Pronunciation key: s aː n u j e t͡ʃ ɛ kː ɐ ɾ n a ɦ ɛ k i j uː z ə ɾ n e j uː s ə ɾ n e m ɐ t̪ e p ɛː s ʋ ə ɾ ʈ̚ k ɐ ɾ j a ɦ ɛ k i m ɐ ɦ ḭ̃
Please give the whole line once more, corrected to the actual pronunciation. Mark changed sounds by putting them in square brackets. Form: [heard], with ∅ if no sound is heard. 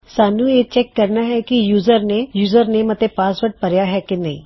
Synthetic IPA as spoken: s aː n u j e t͡ʃ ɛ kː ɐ ɾ n a ɦ ɛ k i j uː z ə ɾ n e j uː [z] ə ɾ n e m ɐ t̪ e p [aː] s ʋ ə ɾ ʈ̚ [p] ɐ ɾ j a ɦ ɛ k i [n] ɐ ɦ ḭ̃